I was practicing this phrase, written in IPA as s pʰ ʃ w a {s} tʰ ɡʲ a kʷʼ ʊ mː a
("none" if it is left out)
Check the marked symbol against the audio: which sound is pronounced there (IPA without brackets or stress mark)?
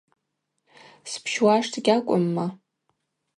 ʂ